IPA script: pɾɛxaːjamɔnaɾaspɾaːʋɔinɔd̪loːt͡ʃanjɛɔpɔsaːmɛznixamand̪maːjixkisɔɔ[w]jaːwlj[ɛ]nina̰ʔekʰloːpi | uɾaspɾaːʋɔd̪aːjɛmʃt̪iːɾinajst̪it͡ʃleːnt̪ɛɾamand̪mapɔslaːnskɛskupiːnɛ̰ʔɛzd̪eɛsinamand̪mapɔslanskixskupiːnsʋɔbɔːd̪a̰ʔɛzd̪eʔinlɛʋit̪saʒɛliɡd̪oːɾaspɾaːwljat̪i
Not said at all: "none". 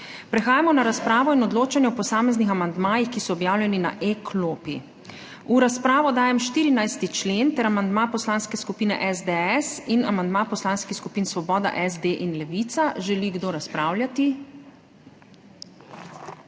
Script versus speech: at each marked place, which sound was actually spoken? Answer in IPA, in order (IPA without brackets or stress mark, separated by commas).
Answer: b, ɛ